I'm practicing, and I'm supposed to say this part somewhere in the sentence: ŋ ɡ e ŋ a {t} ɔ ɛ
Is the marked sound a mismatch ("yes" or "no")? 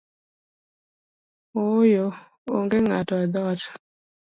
no